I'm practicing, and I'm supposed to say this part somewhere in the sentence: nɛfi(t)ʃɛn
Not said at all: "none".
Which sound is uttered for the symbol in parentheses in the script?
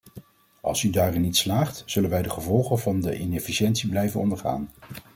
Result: none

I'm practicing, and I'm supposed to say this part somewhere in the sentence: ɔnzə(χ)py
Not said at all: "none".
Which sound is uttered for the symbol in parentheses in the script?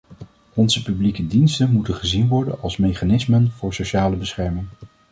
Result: none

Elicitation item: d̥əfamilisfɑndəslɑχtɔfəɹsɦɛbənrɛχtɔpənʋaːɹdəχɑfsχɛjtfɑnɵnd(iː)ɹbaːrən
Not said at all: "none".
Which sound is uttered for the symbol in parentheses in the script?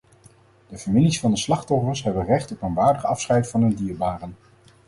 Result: iː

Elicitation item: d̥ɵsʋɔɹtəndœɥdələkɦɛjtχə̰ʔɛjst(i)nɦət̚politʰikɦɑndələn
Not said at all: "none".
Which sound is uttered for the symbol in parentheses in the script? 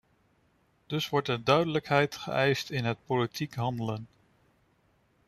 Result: ɪ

